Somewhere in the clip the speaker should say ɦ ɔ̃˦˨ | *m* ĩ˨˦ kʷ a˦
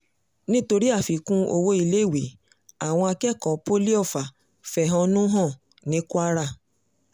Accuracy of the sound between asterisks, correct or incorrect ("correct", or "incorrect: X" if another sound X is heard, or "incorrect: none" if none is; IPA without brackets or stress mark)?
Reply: incorrect: n